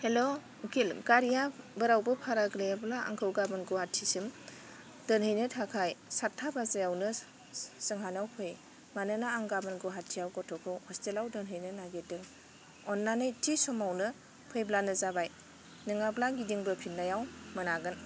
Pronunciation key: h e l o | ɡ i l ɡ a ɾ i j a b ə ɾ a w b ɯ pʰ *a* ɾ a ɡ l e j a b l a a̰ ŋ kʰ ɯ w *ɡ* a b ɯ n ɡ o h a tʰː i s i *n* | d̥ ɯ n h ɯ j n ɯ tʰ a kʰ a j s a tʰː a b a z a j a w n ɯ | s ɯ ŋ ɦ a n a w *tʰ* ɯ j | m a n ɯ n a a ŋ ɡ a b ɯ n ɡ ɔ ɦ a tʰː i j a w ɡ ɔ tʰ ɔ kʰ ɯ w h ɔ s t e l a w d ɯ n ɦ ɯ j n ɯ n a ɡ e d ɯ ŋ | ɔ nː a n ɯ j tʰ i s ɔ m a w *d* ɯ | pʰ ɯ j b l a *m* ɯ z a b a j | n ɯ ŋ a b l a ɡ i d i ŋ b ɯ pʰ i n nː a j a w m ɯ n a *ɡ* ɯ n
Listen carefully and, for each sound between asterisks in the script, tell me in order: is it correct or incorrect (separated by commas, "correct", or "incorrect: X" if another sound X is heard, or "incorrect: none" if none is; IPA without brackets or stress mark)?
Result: correct, correct, incorrect: m, incorrect: pʰ, incorrect: n, incorrect: n, correct